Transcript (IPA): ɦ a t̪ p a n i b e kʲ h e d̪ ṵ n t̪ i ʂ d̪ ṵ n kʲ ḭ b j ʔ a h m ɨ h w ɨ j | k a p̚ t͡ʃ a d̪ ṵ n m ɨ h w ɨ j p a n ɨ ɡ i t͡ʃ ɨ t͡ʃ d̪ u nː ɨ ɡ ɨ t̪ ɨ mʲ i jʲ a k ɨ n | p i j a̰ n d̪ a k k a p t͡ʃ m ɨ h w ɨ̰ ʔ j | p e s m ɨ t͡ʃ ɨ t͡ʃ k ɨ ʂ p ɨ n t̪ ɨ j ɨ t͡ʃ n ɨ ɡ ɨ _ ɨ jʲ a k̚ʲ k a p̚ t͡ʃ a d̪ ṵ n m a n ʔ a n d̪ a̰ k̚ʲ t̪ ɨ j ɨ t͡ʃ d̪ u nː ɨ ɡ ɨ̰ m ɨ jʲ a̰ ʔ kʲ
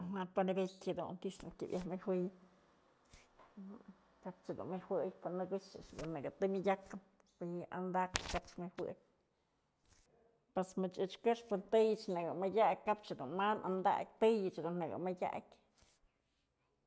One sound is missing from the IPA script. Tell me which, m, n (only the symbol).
m